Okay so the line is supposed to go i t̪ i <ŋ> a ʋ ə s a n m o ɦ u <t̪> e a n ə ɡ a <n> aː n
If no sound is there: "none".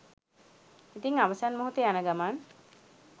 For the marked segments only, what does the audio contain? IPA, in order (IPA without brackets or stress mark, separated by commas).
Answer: ŋ, t̪, m